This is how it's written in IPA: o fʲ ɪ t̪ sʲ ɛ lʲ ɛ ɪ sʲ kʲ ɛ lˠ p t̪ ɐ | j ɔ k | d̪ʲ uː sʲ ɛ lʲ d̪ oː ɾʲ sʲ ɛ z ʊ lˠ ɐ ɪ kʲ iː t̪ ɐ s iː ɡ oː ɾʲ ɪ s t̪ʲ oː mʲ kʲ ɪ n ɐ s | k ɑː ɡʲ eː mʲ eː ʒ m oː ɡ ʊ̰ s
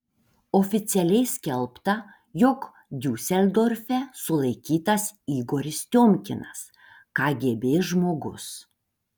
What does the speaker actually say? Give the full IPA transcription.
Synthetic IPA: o fʲ ɪ t̪ sʲ ɛ lʲ ɛ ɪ sʲ kʲ ɛ lˠ p t̪ ɐ | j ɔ k | d̪ʲ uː sʲ ɛ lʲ d̪ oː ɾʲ fʲ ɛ s ʊ lˠ ɐ ɪ kʲ iː t̪ ɐ s iː ɡ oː ɾʲ ɪ s t̪ʲ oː mʲ kʲ ɪ n ɐ s | k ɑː ɡʲ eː bʲ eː ʒ m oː ɡ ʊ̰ s